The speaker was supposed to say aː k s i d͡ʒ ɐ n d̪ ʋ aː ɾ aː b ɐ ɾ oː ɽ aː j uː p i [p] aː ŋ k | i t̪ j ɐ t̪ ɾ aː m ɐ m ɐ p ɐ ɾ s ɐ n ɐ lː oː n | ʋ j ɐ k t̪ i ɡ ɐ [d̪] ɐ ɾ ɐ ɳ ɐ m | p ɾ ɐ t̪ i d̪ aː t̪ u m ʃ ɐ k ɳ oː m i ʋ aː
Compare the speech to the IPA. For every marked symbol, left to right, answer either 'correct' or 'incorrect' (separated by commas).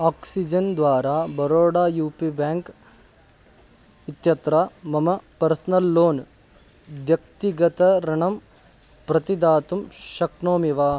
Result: incorrect, incorrect